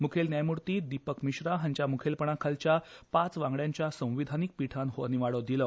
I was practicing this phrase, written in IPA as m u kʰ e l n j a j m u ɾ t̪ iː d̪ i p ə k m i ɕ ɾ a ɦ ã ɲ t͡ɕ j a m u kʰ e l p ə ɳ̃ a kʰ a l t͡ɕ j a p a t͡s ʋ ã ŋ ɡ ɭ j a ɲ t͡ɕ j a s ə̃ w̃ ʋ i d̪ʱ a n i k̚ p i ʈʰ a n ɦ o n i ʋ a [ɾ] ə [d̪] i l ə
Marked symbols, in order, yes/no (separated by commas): no, yes